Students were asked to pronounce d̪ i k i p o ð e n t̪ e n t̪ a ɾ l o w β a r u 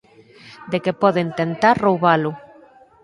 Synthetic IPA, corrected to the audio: d̪ e k e p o ð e n t̪ e n t̪ a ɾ r o w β a l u